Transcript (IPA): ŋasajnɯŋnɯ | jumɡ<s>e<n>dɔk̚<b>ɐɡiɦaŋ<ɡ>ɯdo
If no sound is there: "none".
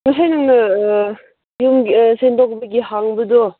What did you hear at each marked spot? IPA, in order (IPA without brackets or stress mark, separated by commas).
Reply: s, n, b, b